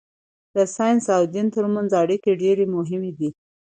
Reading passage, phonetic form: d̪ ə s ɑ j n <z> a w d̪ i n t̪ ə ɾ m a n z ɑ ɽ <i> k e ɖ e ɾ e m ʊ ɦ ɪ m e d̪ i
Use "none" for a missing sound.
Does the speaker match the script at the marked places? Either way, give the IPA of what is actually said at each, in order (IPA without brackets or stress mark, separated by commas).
s, i